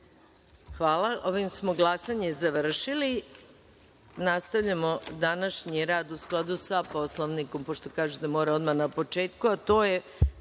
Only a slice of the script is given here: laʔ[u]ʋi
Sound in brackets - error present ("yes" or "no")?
yes